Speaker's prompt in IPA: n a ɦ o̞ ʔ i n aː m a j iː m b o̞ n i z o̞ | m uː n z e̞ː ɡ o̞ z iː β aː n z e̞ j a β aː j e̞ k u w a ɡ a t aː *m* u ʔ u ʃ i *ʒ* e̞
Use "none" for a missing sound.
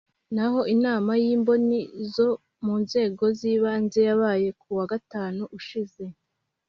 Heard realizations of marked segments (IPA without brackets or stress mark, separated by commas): n, z